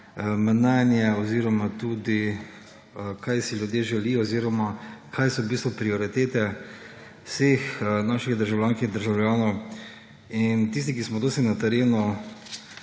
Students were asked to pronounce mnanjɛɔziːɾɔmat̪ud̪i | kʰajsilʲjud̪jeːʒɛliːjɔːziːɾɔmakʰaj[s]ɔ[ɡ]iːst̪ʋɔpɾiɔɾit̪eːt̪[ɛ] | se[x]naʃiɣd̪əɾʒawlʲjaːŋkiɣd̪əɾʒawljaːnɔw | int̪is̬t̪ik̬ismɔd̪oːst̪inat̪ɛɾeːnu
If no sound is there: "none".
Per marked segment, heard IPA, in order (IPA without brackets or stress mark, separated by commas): s, b, ɛ, x